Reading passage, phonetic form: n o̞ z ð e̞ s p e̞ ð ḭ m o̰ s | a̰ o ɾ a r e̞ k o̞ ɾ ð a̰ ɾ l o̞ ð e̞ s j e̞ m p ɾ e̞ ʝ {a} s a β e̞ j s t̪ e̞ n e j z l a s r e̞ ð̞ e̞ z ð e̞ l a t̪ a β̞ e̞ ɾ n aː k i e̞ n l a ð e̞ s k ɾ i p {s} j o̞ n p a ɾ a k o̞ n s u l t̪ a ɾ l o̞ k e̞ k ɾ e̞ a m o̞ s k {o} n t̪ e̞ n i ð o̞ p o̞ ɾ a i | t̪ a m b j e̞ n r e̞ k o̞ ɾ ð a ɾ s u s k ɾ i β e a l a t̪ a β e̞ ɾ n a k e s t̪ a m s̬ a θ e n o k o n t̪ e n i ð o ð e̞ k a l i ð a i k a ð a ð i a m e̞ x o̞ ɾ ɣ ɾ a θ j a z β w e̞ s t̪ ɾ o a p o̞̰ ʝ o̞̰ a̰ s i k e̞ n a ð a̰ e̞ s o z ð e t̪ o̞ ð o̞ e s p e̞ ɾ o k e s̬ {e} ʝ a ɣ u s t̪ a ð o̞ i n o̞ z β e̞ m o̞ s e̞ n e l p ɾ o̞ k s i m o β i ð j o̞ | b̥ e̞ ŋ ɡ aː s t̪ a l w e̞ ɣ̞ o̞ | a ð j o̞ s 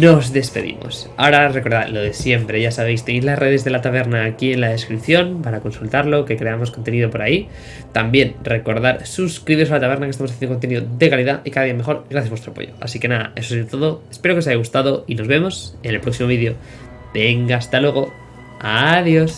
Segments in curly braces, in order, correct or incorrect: correct, incorrect: θ, correct, incorrect: a

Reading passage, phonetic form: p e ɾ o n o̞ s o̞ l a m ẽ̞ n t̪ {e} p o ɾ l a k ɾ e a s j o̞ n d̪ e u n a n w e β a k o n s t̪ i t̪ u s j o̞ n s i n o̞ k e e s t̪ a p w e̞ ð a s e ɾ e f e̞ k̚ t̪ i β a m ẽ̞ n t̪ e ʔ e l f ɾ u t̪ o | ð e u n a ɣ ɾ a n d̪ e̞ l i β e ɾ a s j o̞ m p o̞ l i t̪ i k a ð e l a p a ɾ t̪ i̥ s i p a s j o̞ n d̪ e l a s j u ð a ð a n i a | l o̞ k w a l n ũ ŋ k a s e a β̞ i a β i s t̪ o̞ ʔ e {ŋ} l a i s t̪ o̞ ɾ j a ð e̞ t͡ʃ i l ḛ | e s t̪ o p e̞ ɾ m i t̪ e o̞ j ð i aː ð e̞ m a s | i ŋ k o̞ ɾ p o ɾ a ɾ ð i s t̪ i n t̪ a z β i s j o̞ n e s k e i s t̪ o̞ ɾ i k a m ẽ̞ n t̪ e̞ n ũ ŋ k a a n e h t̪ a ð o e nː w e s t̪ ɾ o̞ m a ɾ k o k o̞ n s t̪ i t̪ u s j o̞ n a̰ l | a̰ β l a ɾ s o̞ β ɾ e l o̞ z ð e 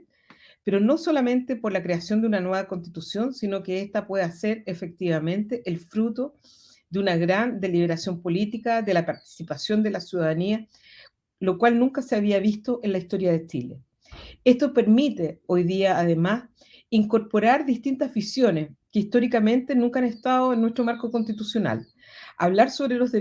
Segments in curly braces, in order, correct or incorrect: correct, incorrect: n

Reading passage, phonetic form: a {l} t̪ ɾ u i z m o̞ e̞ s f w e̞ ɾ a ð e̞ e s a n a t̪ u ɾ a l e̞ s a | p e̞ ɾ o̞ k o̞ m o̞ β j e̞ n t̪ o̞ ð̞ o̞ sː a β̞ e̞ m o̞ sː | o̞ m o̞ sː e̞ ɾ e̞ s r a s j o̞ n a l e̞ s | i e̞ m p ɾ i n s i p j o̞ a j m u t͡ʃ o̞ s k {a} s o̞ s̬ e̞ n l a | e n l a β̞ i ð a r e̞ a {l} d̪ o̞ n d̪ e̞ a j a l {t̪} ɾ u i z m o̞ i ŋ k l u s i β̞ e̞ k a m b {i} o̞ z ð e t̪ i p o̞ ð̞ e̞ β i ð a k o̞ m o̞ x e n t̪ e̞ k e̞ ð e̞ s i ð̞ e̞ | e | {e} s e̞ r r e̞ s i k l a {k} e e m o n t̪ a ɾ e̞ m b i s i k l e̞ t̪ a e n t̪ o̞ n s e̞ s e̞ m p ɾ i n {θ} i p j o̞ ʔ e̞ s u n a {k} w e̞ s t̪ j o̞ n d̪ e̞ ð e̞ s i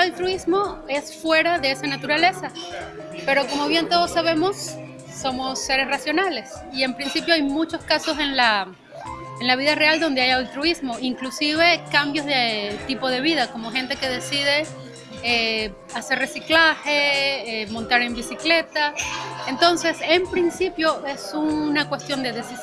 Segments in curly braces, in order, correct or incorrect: correct, correct, correct, correct, incorrect: j, incorrect: a, incorrect: x, incorrect: s, correct

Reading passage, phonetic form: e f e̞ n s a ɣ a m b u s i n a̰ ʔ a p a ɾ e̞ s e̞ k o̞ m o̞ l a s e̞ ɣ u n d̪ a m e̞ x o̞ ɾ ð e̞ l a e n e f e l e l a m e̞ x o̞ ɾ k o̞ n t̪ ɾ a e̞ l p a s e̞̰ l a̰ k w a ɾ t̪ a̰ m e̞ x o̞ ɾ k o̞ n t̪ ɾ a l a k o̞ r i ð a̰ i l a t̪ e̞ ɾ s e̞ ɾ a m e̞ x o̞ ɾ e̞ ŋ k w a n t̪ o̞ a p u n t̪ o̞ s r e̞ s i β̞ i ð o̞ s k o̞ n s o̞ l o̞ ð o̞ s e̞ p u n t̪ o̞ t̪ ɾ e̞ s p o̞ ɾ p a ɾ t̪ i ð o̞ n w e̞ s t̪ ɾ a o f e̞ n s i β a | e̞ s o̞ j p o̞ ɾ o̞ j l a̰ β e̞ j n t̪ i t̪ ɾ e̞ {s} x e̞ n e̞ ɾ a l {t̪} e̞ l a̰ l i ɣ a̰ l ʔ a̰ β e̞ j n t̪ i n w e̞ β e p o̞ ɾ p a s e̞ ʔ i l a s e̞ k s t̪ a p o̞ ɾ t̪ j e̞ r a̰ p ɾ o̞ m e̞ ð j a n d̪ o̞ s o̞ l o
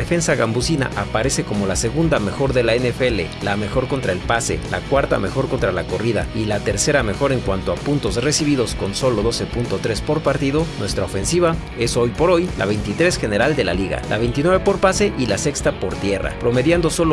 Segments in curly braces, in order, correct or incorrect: correct, incorrect: d̪

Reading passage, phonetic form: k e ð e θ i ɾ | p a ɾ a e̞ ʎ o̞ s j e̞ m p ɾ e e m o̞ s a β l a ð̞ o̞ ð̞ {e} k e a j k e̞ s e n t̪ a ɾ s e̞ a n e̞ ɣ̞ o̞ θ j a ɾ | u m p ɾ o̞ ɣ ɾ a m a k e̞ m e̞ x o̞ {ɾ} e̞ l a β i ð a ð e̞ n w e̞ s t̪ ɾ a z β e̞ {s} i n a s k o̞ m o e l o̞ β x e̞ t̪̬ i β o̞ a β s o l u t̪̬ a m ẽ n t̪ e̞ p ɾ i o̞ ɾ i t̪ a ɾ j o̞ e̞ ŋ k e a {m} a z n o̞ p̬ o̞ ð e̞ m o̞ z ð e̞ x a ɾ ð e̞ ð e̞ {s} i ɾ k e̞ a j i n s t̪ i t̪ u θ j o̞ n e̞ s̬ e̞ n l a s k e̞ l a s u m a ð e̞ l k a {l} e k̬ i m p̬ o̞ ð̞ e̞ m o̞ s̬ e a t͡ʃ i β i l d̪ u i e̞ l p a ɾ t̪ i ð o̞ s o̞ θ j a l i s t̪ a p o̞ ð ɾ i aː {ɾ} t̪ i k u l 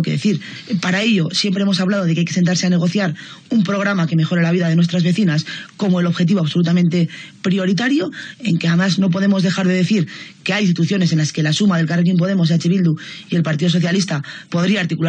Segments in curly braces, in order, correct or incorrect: correct, correct, incorrect: θ, correct, incorrect: θ, incorrect: r, correct

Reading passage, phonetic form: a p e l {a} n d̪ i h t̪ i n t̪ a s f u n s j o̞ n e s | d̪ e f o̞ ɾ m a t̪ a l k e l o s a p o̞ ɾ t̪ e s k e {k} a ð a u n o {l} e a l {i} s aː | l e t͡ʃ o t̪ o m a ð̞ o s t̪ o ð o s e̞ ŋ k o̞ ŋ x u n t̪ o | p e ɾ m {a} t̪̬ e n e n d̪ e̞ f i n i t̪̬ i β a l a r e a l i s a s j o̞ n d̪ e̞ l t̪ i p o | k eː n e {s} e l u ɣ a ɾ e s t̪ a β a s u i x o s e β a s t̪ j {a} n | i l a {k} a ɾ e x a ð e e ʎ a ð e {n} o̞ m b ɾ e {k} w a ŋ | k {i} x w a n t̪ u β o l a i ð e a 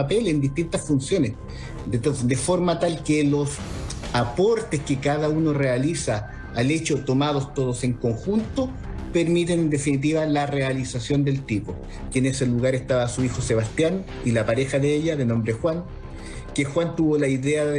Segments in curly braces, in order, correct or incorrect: incorrect: e, correct, incorrect: r, correct, incorrect: i, correct, correct, incorrect: p, correct, incorrect: x, incorrect: e

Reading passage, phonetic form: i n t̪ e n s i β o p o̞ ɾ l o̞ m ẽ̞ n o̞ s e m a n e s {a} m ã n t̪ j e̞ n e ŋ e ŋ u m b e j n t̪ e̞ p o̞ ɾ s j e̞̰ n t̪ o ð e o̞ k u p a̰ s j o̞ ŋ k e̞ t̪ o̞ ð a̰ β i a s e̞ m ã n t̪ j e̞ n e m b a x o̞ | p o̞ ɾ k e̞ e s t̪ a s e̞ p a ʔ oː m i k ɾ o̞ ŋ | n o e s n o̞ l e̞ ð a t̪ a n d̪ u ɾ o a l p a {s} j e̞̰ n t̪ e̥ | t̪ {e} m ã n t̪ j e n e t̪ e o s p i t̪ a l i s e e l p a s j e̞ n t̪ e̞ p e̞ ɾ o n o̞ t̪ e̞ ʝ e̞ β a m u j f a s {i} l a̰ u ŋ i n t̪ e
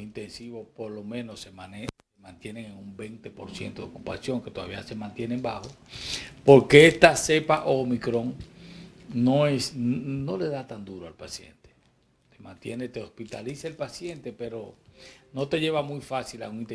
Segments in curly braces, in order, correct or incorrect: incorrect: e, correct, correct, correct

